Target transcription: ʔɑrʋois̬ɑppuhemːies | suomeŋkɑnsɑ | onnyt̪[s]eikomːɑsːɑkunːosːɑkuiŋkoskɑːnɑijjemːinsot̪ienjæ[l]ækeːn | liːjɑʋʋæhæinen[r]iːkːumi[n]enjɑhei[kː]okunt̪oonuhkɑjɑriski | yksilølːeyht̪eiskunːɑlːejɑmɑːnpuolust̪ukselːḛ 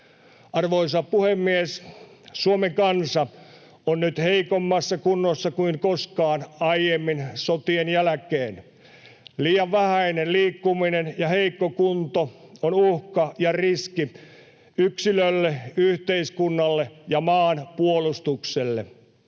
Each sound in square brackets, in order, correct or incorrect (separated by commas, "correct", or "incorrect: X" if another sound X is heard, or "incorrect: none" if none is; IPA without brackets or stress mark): incorrect: h, correct, incorrect: l, correct, correct